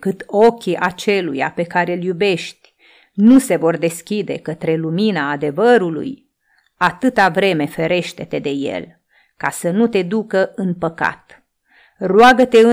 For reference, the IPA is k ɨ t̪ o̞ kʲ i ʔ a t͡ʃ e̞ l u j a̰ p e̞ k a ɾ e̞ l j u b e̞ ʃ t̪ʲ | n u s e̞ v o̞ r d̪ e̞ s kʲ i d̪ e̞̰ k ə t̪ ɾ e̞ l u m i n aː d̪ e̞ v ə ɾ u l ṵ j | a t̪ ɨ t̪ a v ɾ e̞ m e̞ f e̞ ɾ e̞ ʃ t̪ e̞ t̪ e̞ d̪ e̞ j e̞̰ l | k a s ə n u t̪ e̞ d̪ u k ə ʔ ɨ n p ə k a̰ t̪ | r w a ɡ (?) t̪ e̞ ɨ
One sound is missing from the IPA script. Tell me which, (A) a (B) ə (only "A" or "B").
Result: B